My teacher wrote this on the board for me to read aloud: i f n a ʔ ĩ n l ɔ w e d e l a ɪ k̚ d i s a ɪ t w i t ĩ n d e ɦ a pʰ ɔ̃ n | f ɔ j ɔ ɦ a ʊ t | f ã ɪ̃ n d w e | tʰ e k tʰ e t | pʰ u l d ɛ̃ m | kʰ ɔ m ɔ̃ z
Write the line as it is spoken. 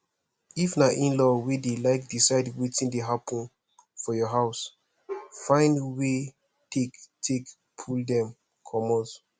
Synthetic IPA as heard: i f n a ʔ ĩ n l ɔ w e d e l a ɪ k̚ d i s a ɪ d w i t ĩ n d e ɦ a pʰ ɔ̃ n | f ɔ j ɔ ɦ a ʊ s | f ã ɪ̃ n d w e | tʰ e k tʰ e k | pʰ u l d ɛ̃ m | kʰ ɔ m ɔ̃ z